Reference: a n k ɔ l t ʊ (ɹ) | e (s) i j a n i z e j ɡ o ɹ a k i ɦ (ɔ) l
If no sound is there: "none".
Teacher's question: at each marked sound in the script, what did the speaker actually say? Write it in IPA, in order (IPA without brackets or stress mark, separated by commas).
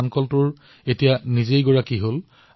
ɹ, t, o